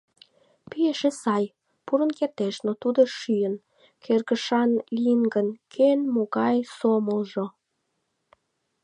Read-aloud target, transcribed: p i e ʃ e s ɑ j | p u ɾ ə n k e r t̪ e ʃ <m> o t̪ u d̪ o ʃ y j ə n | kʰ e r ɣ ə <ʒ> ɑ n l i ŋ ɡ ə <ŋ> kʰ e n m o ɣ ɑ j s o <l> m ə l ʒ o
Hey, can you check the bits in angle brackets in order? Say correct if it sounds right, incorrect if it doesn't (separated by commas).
incorrect, incorrect, incorrect, incorrect